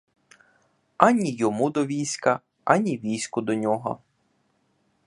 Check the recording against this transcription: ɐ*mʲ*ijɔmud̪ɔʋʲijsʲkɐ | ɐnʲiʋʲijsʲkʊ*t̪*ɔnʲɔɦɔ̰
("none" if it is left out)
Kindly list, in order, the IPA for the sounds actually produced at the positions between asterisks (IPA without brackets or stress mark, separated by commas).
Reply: nʲ, d̪